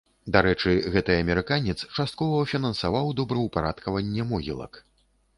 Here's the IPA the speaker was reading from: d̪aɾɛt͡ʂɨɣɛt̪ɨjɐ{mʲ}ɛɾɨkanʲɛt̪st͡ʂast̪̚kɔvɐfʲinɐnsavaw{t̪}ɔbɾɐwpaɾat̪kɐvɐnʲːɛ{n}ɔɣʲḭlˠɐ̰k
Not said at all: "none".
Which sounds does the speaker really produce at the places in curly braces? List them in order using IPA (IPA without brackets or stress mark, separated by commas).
mʲ, d̪, m